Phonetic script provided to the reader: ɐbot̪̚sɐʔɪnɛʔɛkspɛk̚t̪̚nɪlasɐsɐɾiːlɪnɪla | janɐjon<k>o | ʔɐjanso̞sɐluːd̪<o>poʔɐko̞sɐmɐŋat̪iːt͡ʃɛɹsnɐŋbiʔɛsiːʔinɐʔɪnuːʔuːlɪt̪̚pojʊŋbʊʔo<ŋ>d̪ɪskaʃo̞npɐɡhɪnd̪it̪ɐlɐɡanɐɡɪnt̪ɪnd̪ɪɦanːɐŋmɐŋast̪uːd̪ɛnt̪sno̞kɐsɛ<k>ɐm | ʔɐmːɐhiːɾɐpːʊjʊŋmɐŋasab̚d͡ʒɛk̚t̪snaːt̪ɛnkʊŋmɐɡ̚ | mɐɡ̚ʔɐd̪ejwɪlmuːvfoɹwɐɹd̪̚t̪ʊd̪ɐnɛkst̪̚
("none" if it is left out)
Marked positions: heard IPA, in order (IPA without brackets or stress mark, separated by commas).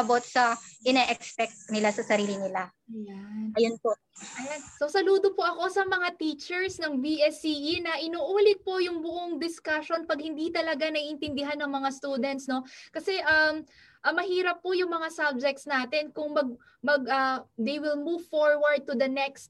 p, o, ŋ, ʔ